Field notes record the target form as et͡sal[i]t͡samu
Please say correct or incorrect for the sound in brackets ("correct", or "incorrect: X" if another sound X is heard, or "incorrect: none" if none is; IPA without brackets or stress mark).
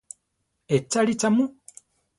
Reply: correct